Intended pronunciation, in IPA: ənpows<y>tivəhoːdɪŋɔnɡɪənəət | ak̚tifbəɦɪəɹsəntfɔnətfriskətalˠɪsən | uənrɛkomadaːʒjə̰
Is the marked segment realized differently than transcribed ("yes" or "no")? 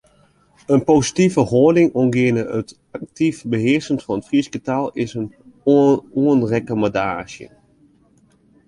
yes